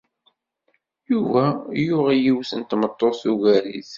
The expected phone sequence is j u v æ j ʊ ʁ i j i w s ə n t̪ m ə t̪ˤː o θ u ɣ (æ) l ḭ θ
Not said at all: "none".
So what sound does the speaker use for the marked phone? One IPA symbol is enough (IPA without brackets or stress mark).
æ